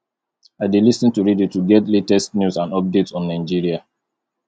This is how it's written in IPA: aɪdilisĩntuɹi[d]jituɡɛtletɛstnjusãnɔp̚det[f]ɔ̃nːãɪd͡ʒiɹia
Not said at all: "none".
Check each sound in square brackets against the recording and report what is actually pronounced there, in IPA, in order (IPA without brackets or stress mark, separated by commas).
d, s